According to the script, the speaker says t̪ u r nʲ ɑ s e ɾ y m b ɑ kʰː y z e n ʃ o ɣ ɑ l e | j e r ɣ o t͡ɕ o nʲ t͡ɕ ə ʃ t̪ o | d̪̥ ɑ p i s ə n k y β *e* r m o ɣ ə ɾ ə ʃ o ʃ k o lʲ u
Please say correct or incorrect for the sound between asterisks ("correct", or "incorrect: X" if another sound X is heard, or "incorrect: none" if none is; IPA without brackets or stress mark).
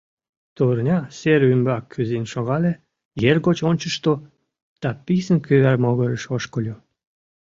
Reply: incorrect: æ